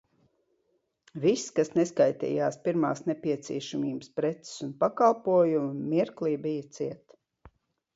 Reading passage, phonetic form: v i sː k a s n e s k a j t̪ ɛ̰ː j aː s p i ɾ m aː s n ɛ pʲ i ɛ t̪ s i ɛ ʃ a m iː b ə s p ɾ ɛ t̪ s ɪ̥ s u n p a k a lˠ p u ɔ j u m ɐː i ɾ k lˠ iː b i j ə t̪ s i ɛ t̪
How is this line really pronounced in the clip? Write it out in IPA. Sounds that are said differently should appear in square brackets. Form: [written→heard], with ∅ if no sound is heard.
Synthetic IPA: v i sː k a s n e s k a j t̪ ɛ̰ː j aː s p i ɾ m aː s n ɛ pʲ i ɛ t̪ s i ɛ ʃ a m iː b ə s p ɾ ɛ t̪ s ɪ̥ s u n p a k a lˠ p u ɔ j u m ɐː i ɾ k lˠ iː b i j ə t̪ s i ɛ t̪

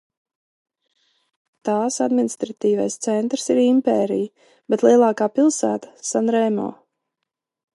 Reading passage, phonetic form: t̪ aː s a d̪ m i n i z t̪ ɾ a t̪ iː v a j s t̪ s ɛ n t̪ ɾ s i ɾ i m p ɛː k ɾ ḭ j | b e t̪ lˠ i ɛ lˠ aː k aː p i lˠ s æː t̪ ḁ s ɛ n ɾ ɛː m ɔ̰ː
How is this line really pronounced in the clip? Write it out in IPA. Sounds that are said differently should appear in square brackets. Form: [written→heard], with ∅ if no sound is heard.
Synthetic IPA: t̪ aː s a d̪ m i n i [z→s] t̪ ɾ a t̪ iː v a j s t̪ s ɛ n t̪ ɾ s i ɾ i m p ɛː [k→∅] ɾ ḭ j | b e t̪ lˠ i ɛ lˠ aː k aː p i lˠ s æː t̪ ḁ s [ɛ→a] n ɾ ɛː m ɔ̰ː

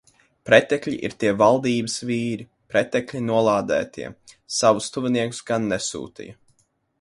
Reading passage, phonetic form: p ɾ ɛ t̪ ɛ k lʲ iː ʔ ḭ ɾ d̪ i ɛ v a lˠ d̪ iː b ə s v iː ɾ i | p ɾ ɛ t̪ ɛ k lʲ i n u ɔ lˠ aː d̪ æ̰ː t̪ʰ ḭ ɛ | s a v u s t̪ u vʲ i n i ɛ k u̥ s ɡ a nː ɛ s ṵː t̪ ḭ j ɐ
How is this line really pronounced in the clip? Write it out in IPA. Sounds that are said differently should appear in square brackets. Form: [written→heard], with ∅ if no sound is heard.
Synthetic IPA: p ɾ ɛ t̪ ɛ k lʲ [iː→i] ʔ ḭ ɾ [d̪→t̪] i ɛ v a lˠ d̪ iː b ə s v iː ɾ i | p ɾ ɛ t̪ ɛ k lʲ i n u ɔ lˠ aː d̪ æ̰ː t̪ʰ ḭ ɛ | s a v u s t̪ u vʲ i n i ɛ k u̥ s ɡ a nː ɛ s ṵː t̪ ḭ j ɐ

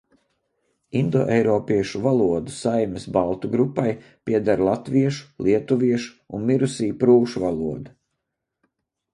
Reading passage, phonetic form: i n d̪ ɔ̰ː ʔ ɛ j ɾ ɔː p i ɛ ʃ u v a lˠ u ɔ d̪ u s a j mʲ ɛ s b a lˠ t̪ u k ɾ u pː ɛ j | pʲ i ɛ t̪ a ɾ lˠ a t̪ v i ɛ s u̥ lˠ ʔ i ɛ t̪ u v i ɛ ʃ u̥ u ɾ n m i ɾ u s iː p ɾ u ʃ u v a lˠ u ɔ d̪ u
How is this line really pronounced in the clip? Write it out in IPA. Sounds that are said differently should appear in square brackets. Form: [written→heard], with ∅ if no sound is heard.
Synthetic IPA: i n d̪ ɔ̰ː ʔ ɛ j ɾ ɔː p i ɛ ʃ u v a lˠ u ɔ d̪ u s a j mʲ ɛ s b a lˠ t̪ u [k→ɡ] ɾ u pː [ɛ→a] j | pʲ i ɛ [t̪→d̪] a ɾ lˠ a t̪ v i ɛ [s→ʃ] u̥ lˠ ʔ i ɛ t̪ u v i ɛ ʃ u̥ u [ɾ→∅] n m i ɾ u s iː p ɾ [u→uː] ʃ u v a lˠ u ɔ d̪ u

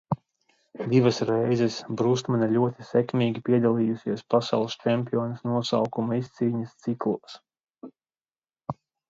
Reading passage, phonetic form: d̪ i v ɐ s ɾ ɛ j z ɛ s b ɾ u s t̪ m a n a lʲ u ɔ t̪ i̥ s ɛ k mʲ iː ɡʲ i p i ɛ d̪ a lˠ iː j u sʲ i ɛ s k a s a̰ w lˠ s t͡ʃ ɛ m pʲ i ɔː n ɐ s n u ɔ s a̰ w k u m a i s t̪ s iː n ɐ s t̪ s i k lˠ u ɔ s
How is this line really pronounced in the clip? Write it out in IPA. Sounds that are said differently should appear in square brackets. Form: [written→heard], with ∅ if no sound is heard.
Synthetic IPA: d̪ i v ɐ s ɾ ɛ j z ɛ s b ɾ u s t̪ m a n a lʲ u ɔ t̪ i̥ s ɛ k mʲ iː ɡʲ i p i ɛ d̪ a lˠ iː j u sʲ i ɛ s [k→p] a s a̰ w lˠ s t͡ʃ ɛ m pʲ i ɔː n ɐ s n u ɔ s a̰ w k u m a i s t̪ s iː [n→ɲ] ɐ s t̪ s i k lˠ u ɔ s

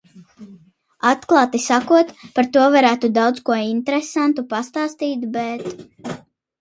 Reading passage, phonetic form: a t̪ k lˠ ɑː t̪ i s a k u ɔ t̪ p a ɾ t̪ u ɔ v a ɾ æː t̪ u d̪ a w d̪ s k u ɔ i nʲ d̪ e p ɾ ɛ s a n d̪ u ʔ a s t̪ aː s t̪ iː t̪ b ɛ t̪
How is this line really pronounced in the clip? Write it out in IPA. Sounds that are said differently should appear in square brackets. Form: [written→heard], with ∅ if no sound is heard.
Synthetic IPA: a t̪ k lˠ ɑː t̪ i s a k u ɔ t̪ p a ɾ t̪ u ɔ v a ɾ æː t̪ u d̪ a w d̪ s k u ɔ i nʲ [d̪→t̪] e [p→∅] ɾ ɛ s a n [d̪→t̪] u [ʔ→p] a s t̪ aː s t̪ iː t̪ b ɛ t̪

